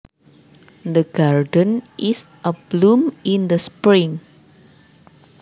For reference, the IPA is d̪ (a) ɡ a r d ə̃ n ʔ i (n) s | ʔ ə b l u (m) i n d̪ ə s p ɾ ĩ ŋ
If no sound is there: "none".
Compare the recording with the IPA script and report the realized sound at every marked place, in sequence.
ə, none, m

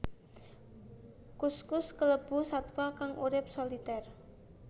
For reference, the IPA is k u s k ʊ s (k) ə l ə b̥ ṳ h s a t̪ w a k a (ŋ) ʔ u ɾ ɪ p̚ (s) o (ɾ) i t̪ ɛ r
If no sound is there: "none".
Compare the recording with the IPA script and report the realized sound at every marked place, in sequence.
k, ŋ, s, l

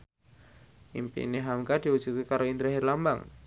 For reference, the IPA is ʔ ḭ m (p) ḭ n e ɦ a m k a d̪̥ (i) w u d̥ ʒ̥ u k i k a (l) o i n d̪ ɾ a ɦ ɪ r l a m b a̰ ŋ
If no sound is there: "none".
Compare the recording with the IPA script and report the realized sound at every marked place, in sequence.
p, i, ɾ

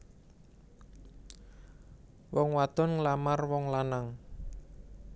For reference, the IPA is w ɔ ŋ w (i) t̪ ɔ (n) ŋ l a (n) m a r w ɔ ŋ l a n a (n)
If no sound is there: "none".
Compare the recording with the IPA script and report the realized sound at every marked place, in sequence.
a, n, none, ŋ

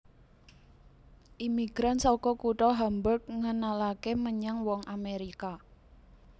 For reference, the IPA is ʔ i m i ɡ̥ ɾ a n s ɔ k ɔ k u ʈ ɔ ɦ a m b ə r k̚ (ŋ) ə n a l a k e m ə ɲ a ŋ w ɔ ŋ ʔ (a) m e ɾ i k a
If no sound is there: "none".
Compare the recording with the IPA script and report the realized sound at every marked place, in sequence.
ŋ, a

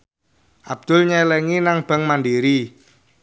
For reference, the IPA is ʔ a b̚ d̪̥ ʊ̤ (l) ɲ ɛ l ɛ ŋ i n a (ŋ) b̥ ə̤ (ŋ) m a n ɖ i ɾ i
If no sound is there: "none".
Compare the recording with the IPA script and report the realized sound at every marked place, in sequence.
l, ŋ, ŋ

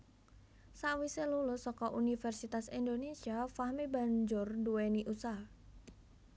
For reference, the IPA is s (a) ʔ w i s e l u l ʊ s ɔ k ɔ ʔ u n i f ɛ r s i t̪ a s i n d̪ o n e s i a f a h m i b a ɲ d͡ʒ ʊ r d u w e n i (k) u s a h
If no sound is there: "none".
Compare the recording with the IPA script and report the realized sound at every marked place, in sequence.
a, ʔ

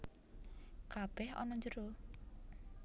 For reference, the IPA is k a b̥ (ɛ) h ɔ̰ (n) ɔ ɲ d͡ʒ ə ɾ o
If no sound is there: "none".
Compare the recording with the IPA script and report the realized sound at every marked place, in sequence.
ɛ, n

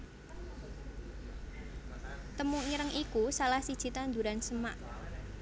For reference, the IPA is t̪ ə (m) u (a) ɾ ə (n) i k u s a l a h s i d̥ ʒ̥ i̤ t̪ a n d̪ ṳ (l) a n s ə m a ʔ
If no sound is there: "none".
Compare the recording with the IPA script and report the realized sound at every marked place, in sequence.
m, i, ŋ, ɾ

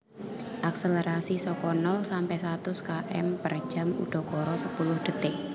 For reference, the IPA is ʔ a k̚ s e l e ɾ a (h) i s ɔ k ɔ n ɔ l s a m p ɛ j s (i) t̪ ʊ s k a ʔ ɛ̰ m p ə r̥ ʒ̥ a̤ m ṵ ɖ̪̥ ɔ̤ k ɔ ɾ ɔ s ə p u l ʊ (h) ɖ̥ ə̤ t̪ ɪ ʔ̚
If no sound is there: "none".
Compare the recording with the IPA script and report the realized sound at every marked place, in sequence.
s, a, h

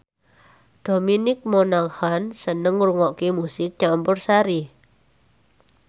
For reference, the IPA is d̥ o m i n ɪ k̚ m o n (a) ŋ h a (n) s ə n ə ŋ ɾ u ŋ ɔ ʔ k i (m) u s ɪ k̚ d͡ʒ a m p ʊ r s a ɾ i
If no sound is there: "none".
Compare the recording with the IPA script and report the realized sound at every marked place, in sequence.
a, n, m

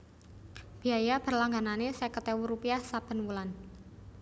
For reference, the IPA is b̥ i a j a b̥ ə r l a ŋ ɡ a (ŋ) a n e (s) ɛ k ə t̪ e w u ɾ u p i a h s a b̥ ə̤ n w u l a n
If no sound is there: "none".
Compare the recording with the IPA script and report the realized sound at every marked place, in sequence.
n, s

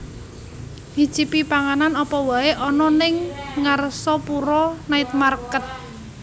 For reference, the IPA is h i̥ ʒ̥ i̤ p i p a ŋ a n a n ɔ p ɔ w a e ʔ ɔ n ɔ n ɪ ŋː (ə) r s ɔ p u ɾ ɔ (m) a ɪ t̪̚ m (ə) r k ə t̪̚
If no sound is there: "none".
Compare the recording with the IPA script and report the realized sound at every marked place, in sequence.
a, n, a

